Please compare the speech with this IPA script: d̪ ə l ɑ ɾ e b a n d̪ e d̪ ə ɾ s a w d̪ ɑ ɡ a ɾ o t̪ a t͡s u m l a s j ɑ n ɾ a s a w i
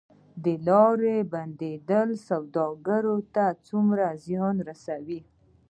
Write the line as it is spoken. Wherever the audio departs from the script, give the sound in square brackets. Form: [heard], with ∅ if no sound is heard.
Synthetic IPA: d̪ ə l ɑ ɾ e b a n d̪ e d̪ ə [l] s a w d̪ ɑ ɡ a ɾ o t̪ a t͡s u m [ɾ] a [z] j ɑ n ɾ a s a w i